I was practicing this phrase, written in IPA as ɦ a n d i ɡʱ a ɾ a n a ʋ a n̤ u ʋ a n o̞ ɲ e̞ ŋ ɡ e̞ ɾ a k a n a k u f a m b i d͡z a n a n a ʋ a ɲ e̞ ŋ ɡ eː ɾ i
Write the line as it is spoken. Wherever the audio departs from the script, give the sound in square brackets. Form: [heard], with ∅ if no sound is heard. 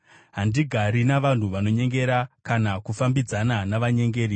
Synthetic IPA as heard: ɦ a n d i ɡʱ a ɾ [i] n a ʋ a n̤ u ʋ a n o̞ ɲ e̞ ŋ ɡ e̞ ɾ a k a n a k u f a m b i d͡z a n a n a ʋ a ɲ e̞ ŋ ɡ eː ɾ i